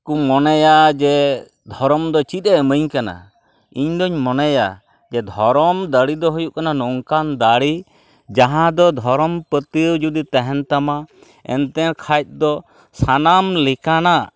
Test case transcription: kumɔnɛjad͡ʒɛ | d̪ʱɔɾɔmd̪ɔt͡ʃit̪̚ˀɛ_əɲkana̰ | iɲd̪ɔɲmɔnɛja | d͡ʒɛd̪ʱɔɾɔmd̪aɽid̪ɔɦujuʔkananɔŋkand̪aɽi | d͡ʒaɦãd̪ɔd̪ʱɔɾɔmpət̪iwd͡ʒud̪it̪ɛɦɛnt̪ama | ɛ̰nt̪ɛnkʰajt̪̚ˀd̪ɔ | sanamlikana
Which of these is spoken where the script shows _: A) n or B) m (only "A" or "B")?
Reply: B